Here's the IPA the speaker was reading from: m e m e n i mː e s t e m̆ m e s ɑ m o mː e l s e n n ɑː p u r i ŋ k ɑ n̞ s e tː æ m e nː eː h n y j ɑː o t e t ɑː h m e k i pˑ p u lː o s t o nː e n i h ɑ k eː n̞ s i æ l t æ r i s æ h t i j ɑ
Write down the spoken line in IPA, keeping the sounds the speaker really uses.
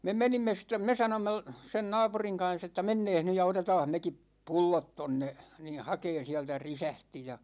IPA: m e m e n i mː e s t e m̆ m e s ɑ n o mː e l s e n n ɑː p u r i ŋ k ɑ n̞ s e tː æ m e nː eː h n y j ɑ o t e t ɑː h m e k i pˑ p u lː o t t o nː e n i h ɑ k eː n̞ s i æ l t æ r i s æ h t i j ɑ